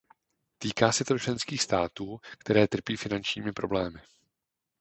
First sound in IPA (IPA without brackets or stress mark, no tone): t̪